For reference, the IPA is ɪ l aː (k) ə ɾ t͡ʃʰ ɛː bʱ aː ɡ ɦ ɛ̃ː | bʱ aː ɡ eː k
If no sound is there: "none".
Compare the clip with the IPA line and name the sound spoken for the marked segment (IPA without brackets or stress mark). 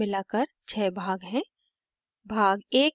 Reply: k